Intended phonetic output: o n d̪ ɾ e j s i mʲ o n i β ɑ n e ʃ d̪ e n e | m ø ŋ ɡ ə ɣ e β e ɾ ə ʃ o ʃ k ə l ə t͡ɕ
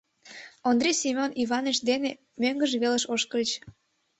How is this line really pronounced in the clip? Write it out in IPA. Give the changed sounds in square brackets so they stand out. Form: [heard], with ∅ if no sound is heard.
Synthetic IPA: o n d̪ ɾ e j s i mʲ o n i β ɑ n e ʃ d̪ e n e | m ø ŋ ɡ ə [ʒ] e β e [l] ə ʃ o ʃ k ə l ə t͡ɕ